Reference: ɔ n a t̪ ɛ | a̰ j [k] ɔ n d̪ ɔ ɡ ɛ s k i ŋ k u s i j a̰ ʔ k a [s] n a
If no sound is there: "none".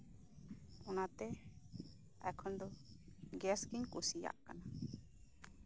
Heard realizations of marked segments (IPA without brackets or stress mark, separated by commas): kʰ, none